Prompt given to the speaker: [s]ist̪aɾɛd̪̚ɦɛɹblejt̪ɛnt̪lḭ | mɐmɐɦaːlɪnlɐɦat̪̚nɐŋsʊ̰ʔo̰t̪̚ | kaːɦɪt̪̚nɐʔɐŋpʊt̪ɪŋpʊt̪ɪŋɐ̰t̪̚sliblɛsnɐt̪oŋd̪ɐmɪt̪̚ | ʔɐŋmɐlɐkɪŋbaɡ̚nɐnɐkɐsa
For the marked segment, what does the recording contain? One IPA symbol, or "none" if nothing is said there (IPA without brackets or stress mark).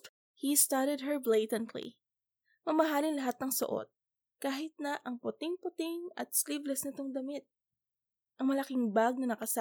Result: h